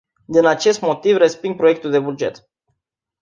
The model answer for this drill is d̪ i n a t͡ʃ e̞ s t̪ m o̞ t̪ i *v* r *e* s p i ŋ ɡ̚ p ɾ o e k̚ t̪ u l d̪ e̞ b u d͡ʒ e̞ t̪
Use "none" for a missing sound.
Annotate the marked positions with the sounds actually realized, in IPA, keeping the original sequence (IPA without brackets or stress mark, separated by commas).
v, e